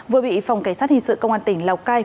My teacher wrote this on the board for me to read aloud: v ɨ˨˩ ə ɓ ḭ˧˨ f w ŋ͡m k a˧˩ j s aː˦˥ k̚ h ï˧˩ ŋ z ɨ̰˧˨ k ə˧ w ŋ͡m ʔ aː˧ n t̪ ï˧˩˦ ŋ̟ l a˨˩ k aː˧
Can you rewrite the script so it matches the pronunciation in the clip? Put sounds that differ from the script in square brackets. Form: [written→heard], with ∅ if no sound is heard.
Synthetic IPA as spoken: v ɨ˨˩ ə ɓ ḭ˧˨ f w ŋ͡m k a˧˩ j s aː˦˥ [k̚→t̚] h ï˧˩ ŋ [z→s] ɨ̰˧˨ k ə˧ w ŋ͡m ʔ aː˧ n t̪ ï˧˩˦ ŋ̟ l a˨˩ k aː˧